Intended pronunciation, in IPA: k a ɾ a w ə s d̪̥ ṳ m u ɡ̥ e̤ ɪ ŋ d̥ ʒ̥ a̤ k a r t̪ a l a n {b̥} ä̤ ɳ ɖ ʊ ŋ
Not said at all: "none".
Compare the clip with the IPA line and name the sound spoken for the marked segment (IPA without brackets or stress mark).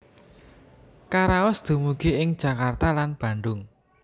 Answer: b̥